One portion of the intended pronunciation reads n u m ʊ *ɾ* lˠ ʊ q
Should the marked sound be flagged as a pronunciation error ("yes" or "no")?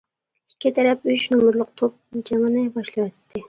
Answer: no